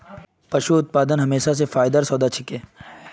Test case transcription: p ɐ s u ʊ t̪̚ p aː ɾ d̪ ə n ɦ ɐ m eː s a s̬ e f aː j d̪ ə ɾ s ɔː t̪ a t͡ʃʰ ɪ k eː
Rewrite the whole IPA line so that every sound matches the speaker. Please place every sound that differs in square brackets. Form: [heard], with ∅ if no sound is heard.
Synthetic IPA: p ɐ [ʃ] u ʊ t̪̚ p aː [∅] d̪ ə n ɦ ɐ m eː [ʃ] a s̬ e f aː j d̪ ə ɾ s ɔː [d̪] a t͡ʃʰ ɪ k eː